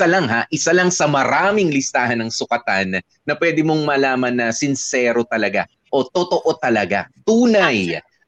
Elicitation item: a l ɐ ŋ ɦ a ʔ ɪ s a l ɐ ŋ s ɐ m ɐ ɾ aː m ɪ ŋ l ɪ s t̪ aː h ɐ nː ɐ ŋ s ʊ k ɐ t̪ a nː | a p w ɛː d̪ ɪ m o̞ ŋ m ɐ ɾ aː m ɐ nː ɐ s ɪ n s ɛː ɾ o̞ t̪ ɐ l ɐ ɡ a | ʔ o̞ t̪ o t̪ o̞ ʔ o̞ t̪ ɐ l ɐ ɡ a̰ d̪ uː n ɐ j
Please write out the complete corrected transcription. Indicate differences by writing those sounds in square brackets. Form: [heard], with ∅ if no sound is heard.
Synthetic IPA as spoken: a l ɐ ŋ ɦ a ʔ ɪ s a l ɐ ŋ s ɐ m ɐ ɾ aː m ɪ ŋ l ɪ s t̪ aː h ɐ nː ɐ ŋ s ʊ k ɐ t̪ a nː | [ɐ] p w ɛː d̪ ɪ m o̞ ŋ m ɐ [l] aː m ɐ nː ɐ s ɪ n s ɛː ɾ o̞ t̪ ɐ l ɐ ɡ a | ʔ o̞ t̪ o t̪ o̞ ʔ o̞ t̪ ɐ l ɐ ɡ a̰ [t̪] uː n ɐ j